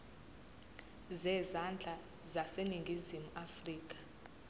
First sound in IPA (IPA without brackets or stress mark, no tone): z